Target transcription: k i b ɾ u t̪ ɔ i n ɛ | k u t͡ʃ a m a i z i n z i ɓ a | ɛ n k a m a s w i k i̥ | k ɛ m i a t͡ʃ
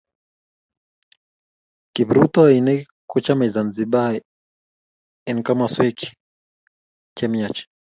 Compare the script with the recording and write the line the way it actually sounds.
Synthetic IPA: k i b ɾ u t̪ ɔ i n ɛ | k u t͡ʃ a m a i z a n z i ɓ a | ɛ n k a m a s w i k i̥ | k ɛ m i a t͡ʃ